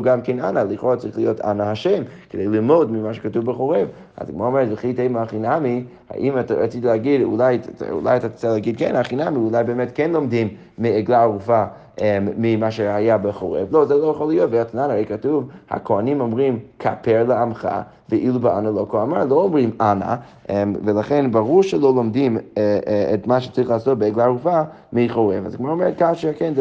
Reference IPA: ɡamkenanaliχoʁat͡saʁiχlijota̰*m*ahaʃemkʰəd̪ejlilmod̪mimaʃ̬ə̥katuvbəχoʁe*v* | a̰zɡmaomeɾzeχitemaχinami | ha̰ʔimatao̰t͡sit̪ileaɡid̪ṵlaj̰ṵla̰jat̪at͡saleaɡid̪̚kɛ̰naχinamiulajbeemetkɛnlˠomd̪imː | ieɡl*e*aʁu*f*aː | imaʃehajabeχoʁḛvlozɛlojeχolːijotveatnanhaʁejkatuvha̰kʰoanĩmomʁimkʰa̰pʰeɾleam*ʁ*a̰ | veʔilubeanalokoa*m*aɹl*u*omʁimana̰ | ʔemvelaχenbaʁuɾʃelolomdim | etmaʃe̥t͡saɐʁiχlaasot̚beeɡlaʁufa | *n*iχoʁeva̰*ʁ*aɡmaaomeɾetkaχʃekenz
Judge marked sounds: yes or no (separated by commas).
no, yes, no, yes, no, yes, no, no, no